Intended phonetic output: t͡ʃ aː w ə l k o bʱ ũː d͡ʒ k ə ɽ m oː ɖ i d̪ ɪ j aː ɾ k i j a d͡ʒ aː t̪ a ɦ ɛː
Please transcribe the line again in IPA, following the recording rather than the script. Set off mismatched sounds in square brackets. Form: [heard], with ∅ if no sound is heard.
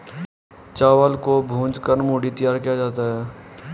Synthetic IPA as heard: t͡ʃ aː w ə l k o bʱ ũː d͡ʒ k ə [ɾ] m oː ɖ i [t̪] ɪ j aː ɾ k i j a d͡ʒ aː t̪ a ɦ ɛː

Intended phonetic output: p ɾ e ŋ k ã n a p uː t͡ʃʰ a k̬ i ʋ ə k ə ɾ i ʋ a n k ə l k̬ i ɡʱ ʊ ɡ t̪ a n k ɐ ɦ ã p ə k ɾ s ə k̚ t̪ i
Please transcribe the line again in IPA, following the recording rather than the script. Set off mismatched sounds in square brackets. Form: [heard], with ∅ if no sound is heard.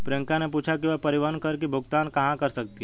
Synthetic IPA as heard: p ɾ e ŋ k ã n [e] p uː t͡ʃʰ a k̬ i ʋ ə [p] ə ɾ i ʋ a n k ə [ɾ] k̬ i [bʱ] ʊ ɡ t̪ a n k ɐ ɦ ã [k] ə [∅] ɾ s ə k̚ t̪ i

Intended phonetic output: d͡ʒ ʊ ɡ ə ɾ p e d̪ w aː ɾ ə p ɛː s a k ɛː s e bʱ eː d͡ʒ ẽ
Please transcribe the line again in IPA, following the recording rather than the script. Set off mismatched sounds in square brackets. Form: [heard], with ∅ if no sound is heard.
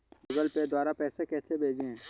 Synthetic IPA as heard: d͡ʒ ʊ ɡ ə [l] p e d̪ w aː ɾ [a] p ɛː s [e] k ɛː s e bʱ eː d͡ʒ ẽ

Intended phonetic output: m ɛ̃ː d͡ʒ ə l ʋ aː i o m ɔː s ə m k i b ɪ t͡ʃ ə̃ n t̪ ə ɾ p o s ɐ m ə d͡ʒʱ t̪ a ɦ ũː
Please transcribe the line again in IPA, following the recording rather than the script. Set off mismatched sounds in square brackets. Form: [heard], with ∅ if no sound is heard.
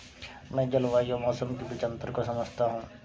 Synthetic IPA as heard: m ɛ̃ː d͡ʒ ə l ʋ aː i o m ɔː s ə m k i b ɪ t͡ʃ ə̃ n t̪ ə ɾ [k] o s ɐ m ə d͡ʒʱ t̪ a ɦ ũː

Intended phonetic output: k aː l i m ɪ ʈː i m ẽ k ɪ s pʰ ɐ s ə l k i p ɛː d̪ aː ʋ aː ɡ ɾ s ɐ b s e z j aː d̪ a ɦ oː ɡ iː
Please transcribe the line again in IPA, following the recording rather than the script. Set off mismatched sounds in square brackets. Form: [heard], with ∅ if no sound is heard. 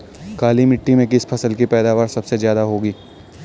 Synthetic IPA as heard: k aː l i m ɪ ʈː i m ẽ k ɪ s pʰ ɐ s ə l k i p ɛː d̪ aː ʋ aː [∅] ɾ s ɐ b s e z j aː d̪ a ɦ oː ɡ iː

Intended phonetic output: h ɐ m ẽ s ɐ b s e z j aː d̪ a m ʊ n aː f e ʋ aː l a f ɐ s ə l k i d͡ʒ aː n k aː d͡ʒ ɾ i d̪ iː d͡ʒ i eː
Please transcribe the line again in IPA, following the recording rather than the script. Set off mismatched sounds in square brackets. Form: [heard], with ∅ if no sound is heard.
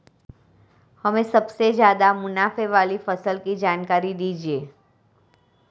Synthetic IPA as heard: h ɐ m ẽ s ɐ b s e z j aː d̪ a m ʊ n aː f e ʋ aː l [i] f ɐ s ə l k i d͡ʒ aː n k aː [∅] ɾ i d̪ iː d͡ʒ i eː

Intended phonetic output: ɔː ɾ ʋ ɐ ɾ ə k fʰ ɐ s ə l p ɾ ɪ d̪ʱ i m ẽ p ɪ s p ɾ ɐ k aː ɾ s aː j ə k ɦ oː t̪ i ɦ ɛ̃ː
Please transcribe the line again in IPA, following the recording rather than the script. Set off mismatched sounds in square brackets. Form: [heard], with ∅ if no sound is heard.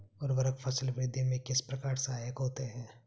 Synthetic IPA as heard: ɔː ɾ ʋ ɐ ɾ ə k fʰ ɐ s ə l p ɾ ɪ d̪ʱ i m ẽ [k] ɪ s p ɾ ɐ k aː ɾ s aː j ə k ɦ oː t̪ [e] ɦ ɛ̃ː

